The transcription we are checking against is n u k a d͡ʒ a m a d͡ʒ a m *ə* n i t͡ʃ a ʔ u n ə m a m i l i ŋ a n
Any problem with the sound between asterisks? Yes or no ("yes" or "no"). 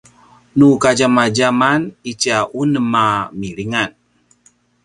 yes